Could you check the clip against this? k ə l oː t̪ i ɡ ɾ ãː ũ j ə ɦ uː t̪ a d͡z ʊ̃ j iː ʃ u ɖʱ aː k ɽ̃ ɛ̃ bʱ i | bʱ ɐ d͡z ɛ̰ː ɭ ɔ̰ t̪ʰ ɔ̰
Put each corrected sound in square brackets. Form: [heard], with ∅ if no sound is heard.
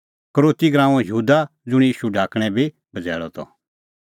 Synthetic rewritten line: k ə [ɾ] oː t̪ i ɡ ɾ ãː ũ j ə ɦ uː [d̪] a d͡z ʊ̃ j iː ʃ u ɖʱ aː k ɽ̃ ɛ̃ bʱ i | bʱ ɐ d͡z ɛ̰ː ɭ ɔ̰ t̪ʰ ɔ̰

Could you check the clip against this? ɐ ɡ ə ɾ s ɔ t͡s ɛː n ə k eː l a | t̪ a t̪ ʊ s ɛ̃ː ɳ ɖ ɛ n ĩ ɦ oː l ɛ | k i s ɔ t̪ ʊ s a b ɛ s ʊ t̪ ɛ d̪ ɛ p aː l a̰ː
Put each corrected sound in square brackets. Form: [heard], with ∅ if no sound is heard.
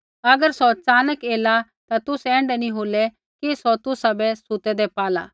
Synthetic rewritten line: ɐ ɡ ə ɾ s ɔ t͡s [aː] n ə k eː l a | t̪ a t̪ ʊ s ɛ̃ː ɳ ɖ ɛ n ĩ ɦ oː l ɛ | k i s ɔ t̪ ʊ s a b ɛ s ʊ t̪ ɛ d̪ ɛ p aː l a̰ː

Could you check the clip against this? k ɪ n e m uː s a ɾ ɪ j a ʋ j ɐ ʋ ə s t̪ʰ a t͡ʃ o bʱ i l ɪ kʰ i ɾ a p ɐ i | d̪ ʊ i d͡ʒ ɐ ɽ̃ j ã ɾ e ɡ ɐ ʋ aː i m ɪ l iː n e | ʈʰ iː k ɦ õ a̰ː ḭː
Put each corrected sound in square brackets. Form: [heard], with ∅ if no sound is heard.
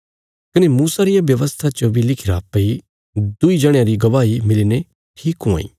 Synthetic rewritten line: k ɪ n e m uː s a ɾ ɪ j a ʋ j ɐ ʋ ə s t̪ʰ a t͡ʃ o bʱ i l ɪ kʰ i ɾ a p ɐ i | d̪ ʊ i d͡ʒ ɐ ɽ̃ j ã ɾ [i] ɡ ɐ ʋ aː i m ɪ l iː n e | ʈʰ iː k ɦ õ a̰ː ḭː

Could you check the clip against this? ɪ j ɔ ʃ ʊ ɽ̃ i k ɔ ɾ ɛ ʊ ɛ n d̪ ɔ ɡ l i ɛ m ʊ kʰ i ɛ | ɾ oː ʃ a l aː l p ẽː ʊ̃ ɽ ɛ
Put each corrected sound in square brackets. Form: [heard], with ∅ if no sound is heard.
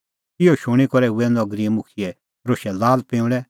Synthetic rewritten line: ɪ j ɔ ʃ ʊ ɽ̃ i k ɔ ɾ ɛ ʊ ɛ n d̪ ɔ ɡ [ɾ] i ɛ m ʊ kʰ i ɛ | ɾ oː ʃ [ɛ] l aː l p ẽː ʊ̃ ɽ ɛ

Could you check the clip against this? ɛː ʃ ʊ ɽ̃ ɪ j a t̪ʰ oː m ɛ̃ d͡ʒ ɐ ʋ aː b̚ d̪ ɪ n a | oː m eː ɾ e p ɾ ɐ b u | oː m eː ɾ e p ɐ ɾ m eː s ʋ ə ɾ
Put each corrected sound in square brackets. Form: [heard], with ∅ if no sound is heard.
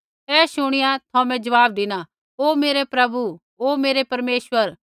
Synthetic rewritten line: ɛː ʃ ʊ ɽ̃ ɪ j a t̪ʰ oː m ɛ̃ d͡ʒ ɐ ʋ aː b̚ d̪ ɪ n a | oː m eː ɾ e p ɾ ɐ b u | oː m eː ɾ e p ɐ ɾ m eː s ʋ ə ɾ

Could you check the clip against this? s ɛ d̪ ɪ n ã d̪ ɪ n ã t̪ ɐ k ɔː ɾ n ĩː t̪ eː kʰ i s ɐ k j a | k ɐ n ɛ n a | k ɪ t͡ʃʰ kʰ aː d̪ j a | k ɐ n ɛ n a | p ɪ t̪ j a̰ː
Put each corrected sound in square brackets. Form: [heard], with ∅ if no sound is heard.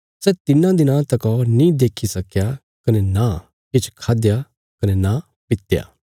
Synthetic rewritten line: s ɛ [t̪] ɪ n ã d̪ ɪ n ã t̪ ɐ k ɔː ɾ n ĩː [d̪] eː kʰ i s ɐ k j a | k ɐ n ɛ n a | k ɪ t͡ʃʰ kʰ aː d̪ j a | k ɐ n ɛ n a | p ɪ t̪ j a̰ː

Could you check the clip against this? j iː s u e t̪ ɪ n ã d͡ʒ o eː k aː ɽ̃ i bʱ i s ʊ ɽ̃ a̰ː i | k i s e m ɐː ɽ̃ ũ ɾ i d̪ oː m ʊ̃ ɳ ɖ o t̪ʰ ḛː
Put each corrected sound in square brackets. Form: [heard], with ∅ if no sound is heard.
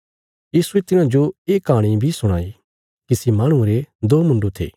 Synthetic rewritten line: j iː s u e t̪ ɪ n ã d͡ʒ o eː k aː ɽ̃ i bʱ i s ʊ ɽ̃ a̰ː i | k i s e m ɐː ɽ̃ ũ ɾ [e] d̪ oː m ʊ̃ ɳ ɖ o t̪ʰ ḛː

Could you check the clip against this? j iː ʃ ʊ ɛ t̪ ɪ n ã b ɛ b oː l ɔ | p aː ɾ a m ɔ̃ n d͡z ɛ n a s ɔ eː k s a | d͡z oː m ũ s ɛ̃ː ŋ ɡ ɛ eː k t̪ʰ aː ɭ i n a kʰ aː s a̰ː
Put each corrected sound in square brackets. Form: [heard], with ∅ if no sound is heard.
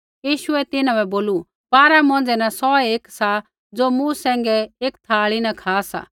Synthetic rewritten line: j iː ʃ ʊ ɛ t̪ ɪ n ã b ɛ b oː l [u] | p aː ɾ a m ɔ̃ n d͡z ɛ n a s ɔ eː k s a | d͡z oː m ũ s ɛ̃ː ŋ ɡ ɛ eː k t̪ʰ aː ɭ i n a kʰ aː s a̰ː

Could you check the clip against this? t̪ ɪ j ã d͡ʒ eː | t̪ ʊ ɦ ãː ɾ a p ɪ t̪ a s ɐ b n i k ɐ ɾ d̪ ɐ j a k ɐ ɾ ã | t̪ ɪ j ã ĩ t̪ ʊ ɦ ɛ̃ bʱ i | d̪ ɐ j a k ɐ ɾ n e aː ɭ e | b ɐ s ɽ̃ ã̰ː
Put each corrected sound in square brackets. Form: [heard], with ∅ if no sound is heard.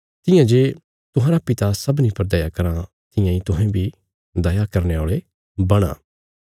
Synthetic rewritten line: t̪ ɪ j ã d͡ʒ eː | t̪ ʊ ɦ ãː ɾ a p ɪ t̪ a s ɐ b n i [p] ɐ ɾ d̪ ɐ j a k ɐ ɾ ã | t̪ ɪ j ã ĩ t̪ ʊ ɦ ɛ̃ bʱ i | d̪ ɐ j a k ɐ ɾ n e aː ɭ e | b ɐ [∅] ɽ̃ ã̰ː

